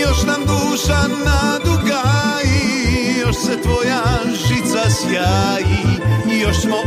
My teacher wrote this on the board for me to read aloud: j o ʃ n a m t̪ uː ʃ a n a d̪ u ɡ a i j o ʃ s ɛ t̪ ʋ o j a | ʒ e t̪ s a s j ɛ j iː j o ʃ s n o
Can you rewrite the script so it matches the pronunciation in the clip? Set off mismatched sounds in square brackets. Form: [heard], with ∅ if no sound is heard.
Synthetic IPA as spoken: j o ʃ n a m [d̪] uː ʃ a n a d̪ u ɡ a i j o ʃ s ɛ t̪ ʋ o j a | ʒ [i] t̪ s a s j [a] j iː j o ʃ s [m] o